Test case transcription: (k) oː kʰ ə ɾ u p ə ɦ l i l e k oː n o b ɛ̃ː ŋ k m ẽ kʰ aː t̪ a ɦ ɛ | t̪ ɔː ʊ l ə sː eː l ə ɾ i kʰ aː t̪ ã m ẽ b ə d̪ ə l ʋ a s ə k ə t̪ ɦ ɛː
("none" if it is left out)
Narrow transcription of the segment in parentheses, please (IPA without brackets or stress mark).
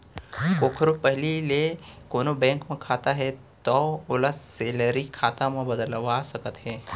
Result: k